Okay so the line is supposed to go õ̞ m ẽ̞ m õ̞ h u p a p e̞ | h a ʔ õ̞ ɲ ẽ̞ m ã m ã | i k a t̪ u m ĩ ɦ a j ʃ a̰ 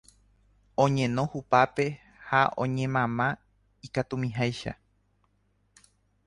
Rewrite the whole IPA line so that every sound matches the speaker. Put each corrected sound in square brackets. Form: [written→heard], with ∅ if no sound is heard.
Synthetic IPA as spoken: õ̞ [m→ɲ] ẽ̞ [m→n] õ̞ h u p a p e̞ | h a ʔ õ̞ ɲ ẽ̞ m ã m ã | i k a t̪ u m ĩ ɦ a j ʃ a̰